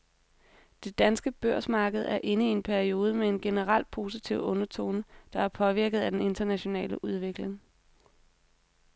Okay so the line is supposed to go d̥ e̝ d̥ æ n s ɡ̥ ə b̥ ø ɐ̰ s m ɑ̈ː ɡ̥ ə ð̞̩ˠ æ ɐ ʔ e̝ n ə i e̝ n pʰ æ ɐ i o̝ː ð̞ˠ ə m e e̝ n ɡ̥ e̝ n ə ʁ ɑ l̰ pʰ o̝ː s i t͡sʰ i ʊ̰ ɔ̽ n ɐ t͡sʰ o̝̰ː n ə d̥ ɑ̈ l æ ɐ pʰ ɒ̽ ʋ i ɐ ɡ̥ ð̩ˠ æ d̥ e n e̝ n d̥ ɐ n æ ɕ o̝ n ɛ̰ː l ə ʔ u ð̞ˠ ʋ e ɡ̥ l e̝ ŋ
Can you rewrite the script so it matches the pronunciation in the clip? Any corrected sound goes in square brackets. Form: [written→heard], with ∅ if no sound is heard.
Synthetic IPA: d̥ e̝ d̥ æ n s ɡ̥ ə b̥ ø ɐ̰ s m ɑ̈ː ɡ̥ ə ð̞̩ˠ æ ɐ ʔ e̝ n ə i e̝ n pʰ æ ɐ i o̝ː ð̞ˠ ə m e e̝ n ɡ̥ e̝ n ə ʁ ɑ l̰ pʰ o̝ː s i t͡sʰ i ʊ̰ ɔ̽ n ɐ t͡sʰ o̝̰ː n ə d̥ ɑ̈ [l→∅] æ ɐ pʰ ɒ̽ ʋ i ɐ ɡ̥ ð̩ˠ æ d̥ e n e̝ n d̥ ɐ n æ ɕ o̝ n ɛ̰ː l ə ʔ u ð̞ˠ ʋ e ɡ̥ l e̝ ŋ